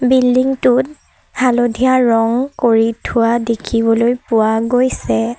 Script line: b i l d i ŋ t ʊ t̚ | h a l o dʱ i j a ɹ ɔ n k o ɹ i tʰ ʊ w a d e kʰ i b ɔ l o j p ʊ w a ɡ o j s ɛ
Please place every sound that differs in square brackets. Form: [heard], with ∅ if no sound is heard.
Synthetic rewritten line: b i l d i ŋ t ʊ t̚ | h a l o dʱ i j a ɹ ɔ [ŋ] k o ɹ i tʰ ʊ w a d e kʰ i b ɔ l o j p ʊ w a ɡ o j s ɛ